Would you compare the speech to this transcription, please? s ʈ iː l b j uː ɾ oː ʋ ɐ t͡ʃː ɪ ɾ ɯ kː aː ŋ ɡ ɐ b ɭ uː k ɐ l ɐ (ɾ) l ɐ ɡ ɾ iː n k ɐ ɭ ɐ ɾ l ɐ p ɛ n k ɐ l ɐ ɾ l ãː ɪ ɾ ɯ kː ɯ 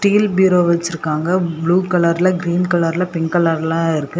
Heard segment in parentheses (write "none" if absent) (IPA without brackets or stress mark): ɾ